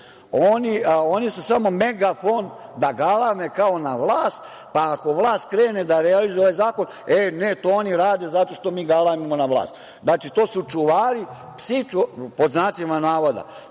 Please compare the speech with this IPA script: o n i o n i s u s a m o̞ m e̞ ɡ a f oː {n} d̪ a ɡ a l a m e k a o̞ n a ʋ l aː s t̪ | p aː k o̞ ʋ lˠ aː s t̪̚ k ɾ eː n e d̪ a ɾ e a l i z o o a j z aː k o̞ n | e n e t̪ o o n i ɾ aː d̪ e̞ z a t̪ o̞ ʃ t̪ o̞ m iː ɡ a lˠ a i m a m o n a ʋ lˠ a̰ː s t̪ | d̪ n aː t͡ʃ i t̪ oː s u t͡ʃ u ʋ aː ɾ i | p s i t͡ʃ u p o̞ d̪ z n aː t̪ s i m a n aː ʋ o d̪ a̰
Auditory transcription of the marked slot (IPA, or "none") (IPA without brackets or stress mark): n